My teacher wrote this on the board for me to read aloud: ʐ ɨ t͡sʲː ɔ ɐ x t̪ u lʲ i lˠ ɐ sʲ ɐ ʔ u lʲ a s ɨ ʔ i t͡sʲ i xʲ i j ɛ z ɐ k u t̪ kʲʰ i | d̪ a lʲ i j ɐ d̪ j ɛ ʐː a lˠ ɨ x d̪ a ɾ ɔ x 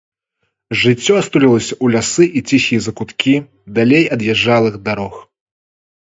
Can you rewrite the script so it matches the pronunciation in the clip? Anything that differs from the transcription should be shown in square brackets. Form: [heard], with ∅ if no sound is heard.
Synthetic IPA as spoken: ʐ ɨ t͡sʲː ɔ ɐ [s] t̪ u lʲ i lˠ ɐ sʲ ɐ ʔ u lʲ a s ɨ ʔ i t͡sʲ i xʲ i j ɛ z ɐ k u t̪ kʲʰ i | d̪ a lʲ [e] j ɐ d̪ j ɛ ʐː a lˠ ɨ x d̪ a ɾ ɔ x